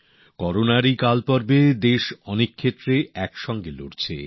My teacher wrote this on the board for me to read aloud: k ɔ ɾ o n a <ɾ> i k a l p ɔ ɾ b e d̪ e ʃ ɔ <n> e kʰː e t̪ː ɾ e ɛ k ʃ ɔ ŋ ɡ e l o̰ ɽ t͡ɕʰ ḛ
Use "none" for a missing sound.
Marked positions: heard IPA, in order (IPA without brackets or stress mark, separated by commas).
ɾ, n